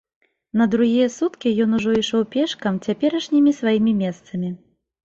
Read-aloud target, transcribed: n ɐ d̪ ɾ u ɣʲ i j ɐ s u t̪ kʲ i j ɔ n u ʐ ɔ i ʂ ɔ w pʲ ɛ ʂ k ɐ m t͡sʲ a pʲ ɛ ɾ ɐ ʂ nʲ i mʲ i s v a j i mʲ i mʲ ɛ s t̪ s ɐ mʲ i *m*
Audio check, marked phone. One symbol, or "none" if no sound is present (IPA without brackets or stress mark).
none